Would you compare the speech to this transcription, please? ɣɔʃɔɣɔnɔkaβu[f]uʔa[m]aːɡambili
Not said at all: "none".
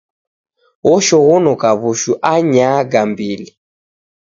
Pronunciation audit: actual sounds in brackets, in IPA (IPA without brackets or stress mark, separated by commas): ʃ, ɲ